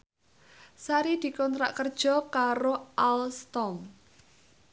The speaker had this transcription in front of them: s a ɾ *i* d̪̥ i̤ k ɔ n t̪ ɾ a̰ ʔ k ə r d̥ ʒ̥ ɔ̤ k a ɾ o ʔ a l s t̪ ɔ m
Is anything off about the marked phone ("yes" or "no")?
no